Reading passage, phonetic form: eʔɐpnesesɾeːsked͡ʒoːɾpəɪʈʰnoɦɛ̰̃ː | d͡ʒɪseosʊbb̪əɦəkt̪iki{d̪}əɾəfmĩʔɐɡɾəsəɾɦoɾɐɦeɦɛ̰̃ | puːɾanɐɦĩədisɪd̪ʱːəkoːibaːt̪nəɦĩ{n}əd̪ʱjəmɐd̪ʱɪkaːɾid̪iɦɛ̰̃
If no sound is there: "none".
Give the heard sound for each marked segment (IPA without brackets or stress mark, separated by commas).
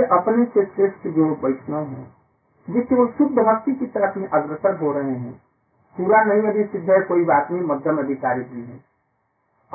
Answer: t̪, m